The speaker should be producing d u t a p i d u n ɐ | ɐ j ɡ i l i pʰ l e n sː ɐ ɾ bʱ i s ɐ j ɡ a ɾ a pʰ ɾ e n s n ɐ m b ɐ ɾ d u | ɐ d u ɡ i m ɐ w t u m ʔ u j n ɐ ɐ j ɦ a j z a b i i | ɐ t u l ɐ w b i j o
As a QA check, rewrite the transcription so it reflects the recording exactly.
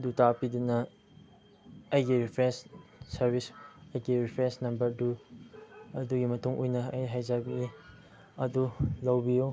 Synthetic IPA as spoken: d u t a p i d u n ɐ | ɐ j ɡ i ɾ i pʰ ɾ e n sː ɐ ɾ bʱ i s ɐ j ɡ i ɾ i pʰ ɾ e n s n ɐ m b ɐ ɾ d u | ɐ d u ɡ i m ɐ t u ŋ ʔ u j n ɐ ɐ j ɦ a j z a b i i | ɐ d u l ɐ w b i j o